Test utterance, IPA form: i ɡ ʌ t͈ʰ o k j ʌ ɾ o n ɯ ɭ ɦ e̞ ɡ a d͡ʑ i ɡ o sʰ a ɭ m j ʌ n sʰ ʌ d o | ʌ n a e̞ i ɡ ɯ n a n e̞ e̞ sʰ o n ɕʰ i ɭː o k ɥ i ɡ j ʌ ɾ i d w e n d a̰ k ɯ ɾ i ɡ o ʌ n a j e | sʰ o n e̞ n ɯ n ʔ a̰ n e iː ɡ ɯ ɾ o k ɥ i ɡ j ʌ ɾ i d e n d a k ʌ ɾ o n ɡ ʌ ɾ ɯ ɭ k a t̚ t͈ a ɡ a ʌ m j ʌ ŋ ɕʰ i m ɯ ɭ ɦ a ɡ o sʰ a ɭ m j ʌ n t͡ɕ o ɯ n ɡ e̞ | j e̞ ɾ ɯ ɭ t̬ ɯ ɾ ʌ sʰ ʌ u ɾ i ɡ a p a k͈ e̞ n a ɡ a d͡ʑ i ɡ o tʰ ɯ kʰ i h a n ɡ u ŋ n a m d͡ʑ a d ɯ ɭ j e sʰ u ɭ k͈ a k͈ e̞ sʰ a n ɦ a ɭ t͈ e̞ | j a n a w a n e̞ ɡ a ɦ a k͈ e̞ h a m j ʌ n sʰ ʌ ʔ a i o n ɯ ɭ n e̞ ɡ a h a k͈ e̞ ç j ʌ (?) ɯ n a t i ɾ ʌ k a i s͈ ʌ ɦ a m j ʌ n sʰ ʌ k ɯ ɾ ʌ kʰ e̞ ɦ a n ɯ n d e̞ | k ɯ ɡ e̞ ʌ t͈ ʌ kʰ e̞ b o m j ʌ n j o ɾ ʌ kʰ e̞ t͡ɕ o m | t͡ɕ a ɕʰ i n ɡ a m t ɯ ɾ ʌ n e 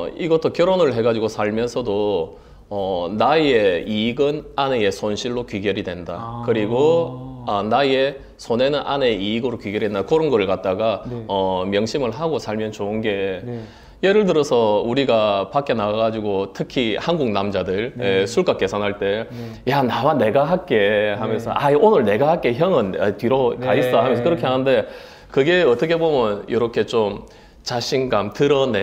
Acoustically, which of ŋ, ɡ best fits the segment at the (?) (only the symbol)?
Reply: ŋ